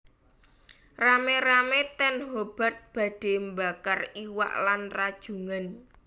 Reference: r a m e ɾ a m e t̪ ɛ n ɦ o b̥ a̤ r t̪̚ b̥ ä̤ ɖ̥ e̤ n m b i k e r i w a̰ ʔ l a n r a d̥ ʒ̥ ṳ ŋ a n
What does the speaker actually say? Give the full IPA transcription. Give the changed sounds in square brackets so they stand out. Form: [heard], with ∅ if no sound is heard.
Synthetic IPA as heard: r a m e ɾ a m e t̪ ɛ n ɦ o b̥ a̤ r t̪̚ b̥ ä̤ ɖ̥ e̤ [∅] m b [a] k [a] r i w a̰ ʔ l a n r a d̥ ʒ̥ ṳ ŋ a n

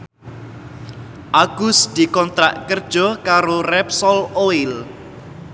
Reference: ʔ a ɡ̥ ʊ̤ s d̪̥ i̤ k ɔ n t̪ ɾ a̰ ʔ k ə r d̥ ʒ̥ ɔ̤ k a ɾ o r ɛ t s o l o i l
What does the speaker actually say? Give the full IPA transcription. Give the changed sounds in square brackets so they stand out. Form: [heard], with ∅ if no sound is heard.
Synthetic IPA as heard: ʔ a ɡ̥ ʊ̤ s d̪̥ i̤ k ɔ n t̪ ɾ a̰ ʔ k ə r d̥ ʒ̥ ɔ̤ k a ɾ o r ɛ [p] s [ɔ] l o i l

